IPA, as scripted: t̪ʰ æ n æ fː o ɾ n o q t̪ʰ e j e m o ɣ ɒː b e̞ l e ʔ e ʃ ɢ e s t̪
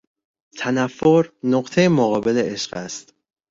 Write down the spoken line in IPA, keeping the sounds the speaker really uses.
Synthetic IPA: t̪ʰ æ n æ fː o ɾ n o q t̪ʰ e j e m o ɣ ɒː b e̞ l e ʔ e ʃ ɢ æ s t̪